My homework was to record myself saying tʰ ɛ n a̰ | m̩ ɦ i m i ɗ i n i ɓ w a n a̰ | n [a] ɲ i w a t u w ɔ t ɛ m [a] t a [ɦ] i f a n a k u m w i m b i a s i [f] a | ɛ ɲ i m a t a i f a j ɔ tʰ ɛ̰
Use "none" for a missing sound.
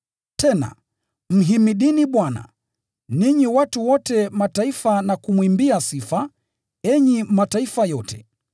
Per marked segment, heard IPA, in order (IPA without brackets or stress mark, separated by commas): i, a, none, f